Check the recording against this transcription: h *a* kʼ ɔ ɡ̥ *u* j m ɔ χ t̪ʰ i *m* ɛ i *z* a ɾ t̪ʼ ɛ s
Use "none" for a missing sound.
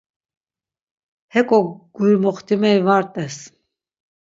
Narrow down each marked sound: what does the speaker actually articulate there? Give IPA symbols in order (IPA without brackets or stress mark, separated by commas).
ɛ, u, m, v